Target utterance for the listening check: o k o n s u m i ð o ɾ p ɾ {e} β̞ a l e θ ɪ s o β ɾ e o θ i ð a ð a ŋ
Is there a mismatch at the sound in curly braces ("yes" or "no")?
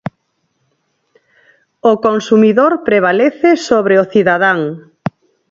no